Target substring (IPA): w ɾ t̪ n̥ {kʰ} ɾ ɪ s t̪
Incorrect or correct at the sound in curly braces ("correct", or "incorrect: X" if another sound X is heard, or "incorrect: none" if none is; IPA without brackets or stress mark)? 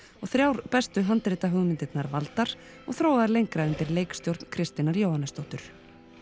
correct